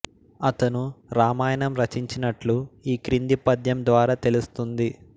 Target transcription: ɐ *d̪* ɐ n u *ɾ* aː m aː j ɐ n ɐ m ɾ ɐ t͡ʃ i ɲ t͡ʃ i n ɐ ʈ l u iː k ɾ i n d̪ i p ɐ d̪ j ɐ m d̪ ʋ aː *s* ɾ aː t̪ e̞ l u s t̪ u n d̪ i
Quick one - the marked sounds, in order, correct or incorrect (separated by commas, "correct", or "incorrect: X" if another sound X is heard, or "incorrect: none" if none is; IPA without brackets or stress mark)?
incorrect: t̪, correct, incorrect: none